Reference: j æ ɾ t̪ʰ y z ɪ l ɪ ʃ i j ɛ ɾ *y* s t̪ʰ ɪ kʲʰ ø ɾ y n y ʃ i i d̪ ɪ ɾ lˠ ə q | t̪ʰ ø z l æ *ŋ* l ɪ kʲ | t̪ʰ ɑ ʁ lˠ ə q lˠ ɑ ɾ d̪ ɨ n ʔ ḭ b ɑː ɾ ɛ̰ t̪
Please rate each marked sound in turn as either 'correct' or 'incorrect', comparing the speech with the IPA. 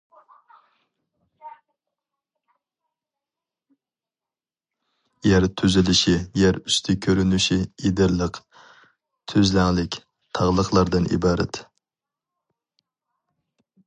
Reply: correct, correct

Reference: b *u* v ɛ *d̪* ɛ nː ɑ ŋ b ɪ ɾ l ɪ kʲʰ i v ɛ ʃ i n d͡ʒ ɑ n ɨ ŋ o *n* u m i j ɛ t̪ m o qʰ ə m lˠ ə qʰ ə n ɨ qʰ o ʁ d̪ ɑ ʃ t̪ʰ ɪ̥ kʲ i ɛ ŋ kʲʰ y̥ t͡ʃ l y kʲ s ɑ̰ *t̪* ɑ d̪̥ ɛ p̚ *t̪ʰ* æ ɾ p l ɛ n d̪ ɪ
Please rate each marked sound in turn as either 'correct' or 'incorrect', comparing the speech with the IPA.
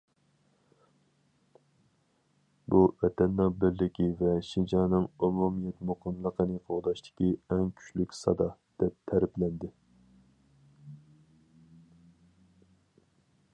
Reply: correct, incorrect, incorrect, incorrect, correct

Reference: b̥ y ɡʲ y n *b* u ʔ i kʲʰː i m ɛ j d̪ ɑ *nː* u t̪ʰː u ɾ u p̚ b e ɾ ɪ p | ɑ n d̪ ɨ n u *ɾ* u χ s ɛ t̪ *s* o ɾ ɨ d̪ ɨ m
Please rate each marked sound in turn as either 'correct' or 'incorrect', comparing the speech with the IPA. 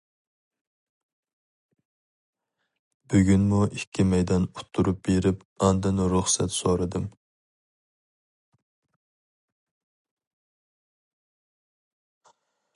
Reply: incorrect, incorrect, correct, correct

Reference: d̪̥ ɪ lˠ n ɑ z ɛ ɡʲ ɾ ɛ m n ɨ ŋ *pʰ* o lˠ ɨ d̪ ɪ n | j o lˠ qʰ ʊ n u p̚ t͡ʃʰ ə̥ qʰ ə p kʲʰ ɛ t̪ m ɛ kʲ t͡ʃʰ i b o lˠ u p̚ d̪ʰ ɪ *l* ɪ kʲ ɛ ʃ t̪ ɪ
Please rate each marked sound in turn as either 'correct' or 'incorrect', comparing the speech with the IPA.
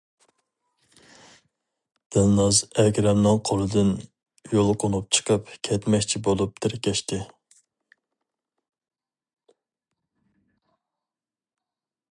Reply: incorrect, incorrect

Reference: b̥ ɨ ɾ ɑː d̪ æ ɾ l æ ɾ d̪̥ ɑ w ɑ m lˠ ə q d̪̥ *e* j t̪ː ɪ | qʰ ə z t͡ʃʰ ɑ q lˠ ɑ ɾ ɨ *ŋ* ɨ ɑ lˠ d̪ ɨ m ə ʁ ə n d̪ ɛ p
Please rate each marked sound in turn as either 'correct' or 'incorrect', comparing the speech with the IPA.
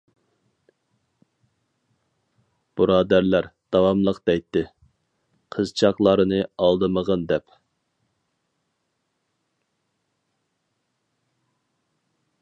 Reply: incorrect, incorrect

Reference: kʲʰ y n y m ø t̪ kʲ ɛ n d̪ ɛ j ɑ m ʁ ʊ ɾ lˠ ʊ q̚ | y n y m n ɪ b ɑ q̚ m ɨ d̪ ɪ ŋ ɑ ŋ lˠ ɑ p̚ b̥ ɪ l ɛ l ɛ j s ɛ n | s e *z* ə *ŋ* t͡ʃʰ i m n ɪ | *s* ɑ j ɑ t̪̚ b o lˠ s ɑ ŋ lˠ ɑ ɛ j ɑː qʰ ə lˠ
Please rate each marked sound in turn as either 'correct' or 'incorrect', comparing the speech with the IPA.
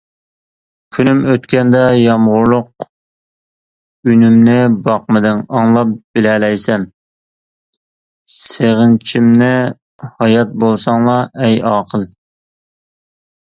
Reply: incorrect, incorrect, incorrect

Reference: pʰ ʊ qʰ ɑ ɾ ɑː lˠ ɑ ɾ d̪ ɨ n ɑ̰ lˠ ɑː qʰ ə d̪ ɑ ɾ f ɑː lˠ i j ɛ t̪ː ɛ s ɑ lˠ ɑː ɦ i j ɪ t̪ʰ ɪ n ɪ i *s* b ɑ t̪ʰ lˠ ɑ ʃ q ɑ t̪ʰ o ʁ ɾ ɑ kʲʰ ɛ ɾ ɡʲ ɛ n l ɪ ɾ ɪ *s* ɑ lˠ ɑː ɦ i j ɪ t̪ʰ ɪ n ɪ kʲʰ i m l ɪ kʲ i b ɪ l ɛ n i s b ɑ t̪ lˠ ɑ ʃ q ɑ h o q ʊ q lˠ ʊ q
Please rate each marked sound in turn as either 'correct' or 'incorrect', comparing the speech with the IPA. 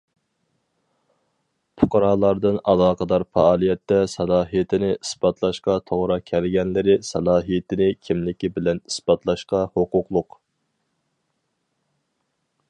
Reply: correct, correct

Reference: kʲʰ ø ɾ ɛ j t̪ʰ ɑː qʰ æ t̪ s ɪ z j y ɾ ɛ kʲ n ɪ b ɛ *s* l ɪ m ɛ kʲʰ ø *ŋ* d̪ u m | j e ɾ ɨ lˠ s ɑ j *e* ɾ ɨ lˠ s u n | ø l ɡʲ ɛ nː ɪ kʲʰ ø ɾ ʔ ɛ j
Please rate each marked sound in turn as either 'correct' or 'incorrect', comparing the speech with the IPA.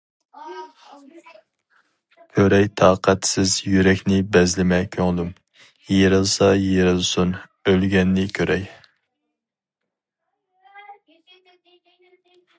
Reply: incorrect, correct, correct

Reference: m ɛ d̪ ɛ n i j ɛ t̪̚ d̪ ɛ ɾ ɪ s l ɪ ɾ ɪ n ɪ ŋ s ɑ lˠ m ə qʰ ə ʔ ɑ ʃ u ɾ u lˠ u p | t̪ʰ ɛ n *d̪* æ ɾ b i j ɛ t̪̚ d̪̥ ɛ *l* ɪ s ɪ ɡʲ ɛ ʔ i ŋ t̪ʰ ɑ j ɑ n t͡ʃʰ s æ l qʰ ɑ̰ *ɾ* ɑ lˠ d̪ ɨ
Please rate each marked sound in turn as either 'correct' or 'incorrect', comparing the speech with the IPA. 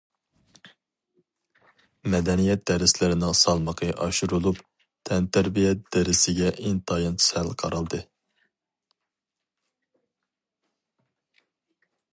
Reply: incorrect, incorrect, correct

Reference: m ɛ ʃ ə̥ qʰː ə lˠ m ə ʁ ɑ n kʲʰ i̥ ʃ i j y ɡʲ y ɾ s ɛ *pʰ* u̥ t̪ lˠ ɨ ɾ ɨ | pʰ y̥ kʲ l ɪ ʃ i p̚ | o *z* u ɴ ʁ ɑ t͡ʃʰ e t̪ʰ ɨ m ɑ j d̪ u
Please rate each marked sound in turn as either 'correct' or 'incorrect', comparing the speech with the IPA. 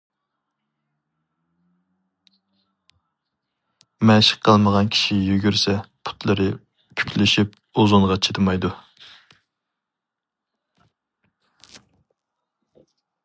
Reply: correct, correct

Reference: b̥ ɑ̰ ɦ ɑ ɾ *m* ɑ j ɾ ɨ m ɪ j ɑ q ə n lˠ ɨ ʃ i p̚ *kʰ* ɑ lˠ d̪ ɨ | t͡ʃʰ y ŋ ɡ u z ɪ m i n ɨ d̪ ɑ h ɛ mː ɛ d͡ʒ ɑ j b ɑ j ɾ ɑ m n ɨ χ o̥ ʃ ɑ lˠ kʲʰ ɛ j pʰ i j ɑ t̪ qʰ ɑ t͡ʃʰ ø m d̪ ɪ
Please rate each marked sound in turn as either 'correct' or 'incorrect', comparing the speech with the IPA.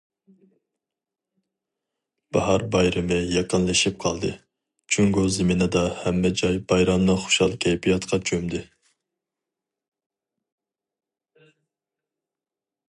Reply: incorrect, incorrect

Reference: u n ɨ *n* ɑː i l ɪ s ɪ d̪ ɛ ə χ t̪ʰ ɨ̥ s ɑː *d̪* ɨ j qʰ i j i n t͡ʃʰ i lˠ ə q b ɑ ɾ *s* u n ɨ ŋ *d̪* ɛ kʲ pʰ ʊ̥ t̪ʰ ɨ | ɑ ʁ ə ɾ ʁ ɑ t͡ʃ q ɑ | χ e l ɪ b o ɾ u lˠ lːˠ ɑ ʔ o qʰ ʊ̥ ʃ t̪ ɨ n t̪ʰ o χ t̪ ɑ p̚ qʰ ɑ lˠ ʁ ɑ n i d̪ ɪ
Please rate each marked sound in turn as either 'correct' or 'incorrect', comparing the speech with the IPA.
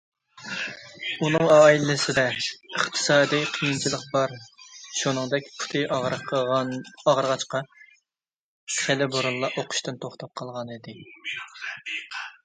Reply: incorrect, correct, incorrect, correct

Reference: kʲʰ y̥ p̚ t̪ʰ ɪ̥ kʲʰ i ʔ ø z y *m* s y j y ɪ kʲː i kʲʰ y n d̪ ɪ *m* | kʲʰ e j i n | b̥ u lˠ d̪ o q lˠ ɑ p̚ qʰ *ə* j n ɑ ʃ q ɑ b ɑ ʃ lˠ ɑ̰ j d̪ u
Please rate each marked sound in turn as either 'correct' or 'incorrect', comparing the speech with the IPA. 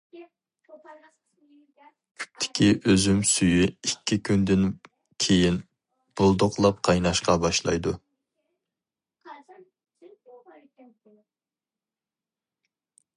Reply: correct, incorrect, incorrect

